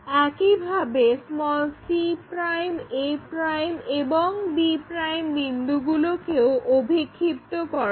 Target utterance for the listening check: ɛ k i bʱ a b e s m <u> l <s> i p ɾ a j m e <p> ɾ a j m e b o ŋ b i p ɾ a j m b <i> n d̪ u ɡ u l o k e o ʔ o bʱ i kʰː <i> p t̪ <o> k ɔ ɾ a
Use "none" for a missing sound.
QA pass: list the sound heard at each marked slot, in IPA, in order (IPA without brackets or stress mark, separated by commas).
ɔ, s, p, i, i, o